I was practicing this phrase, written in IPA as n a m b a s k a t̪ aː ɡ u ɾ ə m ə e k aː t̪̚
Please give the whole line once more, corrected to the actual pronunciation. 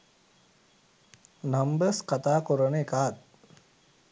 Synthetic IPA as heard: n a m b ə s k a t̪ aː k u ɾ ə n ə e k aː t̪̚